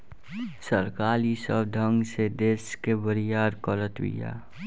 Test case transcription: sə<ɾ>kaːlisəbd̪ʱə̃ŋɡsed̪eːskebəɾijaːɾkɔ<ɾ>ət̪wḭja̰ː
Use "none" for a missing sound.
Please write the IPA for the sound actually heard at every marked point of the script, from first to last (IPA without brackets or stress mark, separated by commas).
ɾ, l